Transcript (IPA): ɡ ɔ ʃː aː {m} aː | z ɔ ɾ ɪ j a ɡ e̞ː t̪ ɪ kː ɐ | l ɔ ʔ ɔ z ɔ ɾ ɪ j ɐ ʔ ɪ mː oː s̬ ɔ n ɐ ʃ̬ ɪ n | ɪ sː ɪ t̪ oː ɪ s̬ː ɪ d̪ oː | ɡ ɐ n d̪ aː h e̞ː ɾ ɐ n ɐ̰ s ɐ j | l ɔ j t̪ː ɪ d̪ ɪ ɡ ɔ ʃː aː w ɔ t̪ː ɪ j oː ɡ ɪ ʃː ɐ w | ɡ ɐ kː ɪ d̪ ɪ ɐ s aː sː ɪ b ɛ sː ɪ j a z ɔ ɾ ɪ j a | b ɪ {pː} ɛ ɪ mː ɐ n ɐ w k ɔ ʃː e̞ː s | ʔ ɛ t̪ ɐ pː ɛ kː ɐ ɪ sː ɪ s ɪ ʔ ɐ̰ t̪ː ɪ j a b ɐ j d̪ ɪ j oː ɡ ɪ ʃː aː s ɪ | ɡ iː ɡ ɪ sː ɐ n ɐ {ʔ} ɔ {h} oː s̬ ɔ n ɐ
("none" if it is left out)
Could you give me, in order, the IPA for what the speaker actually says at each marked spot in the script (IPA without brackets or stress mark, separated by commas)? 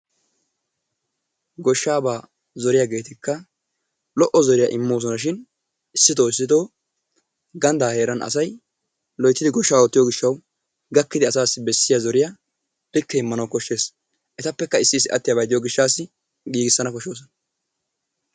b, kː, k, ʃ